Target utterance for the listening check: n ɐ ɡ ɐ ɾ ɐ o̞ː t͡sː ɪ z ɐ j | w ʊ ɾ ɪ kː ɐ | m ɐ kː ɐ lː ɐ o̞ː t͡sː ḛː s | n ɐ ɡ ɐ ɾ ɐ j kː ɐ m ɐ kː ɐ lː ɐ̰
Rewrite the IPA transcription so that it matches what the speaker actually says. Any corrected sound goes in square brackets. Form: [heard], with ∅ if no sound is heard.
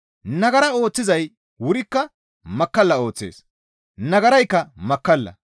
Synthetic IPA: n ɐ ɡ ɐ ɾ ɐ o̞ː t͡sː ɪ z ɐ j | w ʊ ɾ ɪ kː ɐ | m ɐ kː ɐ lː ɐ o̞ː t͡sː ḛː s | n ɐ ɡ ɐ ɾ ɐ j kː ɐ m ɐ kː ɐ lː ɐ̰